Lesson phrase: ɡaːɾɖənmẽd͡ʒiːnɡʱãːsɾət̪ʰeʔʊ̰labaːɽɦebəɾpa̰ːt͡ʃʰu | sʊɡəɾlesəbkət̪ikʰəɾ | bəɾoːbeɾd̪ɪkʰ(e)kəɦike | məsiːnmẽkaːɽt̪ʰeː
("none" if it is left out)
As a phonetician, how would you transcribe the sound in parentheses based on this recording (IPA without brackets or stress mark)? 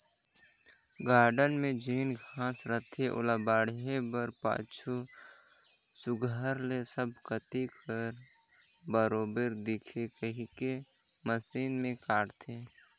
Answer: e